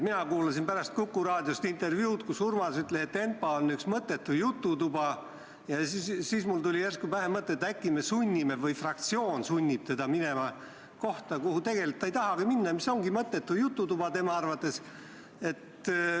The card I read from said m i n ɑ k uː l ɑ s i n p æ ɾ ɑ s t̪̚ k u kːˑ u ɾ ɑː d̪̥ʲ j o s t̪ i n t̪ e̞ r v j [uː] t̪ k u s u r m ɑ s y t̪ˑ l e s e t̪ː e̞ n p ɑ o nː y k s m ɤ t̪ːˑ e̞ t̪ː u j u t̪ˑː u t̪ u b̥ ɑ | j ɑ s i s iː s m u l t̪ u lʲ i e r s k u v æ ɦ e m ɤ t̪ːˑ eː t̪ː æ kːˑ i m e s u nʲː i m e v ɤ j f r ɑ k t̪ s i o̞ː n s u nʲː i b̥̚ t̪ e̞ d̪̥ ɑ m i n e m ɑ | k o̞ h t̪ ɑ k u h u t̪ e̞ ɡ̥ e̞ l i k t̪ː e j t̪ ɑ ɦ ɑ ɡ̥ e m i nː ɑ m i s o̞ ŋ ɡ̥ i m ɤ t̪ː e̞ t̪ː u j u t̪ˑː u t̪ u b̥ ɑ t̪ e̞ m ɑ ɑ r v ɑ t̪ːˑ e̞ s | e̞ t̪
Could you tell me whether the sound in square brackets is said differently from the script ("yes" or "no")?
no